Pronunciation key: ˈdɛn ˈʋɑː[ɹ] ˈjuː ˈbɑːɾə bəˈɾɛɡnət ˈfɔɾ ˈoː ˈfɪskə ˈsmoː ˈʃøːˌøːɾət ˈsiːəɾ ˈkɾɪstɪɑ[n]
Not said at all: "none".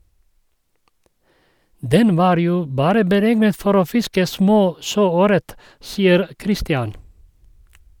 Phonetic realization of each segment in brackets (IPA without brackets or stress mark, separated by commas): ɾ, n